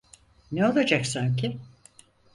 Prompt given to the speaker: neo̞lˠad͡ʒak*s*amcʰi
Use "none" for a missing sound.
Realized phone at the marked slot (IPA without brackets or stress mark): s